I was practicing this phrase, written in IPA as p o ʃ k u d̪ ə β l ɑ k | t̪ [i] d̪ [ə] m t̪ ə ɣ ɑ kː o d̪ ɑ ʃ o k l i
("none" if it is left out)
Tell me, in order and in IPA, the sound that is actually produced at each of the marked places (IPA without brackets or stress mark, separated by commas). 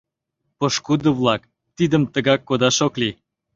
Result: i, ə